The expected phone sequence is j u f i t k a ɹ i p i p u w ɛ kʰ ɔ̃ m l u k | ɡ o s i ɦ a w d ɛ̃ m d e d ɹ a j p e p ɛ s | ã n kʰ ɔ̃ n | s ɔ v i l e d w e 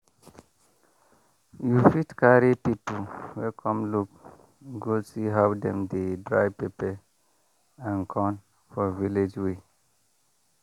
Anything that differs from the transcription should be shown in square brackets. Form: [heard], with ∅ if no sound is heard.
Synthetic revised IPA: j u f i t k a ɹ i p i p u w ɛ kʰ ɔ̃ m l u k | ɡ o s i ɦ a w d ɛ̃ m d e d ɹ a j p e p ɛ [∅] | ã n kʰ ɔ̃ n | [f] ɔ v i l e [d͡ʒ] w e